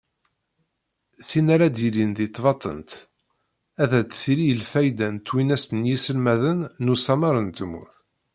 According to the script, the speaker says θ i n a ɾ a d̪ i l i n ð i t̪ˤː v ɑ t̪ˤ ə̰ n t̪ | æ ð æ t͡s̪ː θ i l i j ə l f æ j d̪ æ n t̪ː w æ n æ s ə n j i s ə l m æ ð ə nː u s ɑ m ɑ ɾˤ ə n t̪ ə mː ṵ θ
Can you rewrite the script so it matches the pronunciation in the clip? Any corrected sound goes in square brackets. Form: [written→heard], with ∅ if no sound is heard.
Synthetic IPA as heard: θ i n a ɾ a d̪ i l i n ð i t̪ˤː v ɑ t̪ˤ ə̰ n t̪ | æ ð æ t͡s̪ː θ i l i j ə l f æ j d̪ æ n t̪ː w [æ→i] n æ s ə n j i s ə l m æ ð ə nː u s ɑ m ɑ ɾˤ ə n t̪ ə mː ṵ θ